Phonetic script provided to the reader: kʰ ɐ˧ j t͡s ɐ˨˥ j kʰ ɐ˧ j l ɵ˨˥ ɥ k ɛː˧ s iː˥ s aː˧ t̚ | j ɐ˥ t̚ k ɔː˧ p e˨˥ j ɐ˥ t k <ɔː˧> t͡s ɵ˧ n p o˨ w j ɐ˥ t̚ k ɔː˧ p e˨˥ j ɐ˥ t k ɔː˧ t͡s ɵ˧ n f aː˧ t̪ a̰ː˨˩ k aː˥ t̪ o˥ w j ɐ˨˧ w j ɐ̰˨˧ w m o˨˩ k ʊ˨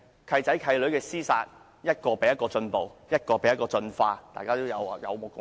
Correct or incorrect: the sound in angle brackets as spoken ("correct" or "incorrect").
correct